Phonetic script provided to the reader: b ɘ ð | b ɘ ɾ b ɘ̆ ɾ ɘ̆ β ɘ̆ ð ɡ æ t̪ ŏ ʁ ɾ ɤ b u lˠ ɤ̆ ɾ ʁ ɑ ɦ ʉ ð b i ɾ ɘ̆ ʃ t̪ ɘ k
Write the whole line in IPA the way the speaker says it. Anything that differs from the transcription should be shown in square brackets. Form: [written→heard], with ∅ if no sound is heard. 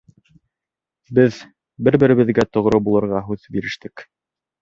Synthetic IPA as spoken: b ɘ ð | b ɘ ɾ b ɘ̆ ɾ ɘ̆ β ɘ̆ ð ɡ æ t̪ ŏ ʁ ɾ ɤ b u lˠ ɤ̆ ɾ ʁ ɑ ɦ ʉ ð b i ɾ ɘ̆ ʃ t̪ ɘ k